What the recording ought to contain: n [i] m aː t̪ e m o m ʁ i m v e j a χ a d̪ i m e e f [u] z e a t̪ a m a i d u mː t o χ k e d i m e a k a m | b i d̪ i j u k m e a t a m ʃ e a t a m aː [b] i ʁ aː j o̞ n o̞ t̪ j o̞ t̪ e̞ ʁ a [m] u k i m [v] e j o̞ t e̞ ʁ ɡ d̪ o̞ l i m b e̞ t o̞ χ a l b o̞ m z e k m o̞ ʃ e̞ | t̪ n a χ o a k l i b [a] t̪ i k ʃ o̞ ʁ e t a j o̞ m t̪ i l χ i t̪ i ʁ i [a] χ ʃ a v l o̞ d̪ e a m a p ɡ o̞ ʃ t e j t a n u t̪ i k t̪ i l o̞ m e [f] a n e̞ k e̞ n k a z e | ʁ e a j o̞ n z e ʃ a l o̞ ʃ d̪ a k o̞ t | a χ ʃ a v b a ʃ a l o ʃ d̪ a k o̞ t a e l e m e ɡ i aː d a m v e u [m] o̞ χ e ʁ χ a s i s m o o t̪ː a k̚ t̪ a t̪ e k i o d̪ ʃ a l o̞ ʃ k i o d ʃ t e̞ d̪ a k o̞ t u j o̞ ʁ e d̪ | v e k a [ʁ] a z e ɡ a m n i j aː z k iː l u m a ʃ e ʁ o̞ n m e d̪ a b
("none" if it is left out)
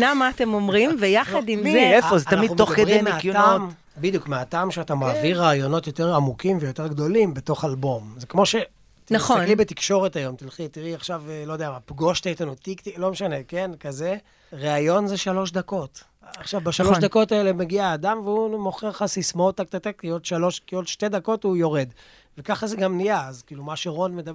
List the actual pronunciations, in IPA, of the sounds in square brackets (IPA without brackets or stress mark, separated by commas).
a, o, v, m, v, e, a, ʃ, m, χ